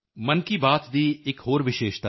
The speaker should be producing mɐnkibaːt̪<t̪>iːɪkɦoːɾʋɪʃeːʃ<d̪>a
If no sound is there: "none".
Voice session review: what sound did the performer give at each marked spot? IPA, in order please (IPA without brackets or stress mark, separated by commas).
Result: d̪, t̪